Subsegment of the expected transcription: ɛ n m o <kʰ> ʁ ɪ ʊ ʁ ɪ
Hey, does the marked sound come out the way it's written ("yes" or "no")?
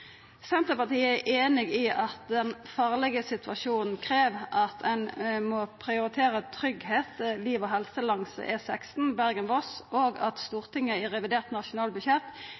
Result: no